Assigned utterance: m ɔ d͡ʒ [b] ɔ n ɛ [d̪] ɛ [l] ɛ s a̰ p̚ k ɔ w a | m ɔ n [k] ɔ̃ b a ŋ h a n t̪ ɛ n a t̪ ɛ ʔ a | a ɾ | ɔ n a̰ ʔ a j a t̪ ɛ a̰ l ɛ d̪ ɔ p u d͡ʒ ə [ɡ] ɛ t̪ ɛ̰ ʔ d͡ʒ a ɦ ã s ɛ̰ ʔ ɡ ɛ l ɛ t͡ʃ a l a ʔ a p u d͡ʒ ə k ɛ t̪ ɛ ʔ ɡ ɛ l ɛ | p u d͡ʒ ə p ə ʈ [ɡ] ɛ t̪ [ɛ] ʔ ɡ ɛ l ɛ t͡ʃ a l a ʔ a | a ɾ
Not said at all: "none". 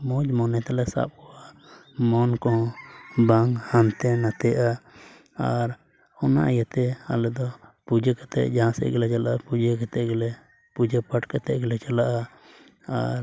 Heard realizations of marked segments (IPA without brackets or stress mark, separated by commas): m, t̪, l, k, k, k, ɛ